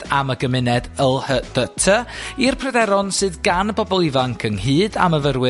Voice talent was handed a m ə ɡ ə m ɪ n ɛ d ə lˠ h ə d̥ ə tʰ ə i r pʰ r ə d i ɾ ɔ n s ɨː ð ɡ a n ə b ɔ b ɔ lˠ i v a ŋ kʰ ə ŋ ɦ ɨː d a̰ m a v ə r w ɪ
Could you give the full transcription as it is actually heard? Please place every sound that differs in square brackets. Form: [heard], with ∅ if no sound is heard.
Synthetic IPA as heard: a m ə ɡ ə m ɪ n ɛ d ə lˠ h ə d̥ ə tʰ ə i r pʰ r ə d [ɛ] ɾ ɔ n s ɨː ð ɡ a n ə b ɔ b ɔ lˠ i v a ŋ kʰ ə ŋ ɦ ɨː d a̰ m [ə] v ə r w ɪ